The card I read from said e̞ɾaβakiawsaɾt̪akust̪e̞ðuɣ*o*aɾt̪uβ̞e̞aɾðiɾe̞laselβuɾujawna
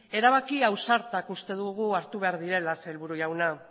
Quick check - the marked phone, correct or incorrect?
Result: incorrect